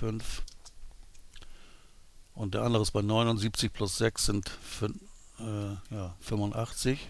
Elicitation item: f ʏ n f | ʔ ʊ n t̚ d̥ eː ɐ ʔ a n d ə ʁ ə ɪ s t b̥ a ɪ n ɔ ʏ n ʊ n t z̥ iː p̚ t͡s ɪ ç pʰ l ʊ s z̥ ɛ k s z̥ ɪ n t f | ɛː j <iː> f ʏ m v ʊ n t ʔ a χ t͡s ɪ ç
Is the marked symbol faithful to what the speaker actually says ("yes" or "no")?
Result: no